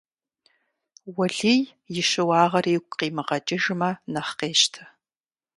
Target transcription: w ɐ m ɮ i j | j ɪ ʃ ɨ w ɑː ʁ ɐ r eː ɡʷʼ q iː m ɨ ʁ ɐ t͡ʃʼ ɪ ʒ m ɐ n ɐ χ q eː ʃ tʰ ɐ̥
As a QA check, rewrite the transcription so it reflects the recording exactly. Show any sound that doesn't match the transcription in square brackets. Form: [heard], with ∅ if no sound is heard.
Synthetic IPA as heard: w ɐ [∅] ɮ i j | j ɪ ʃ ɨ w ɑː ʁ ɐ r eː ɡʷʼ q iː m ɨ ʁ ɐ t͡ʃʼ ɪ ʒ m ɐ n ɐ χ q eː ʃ tʰ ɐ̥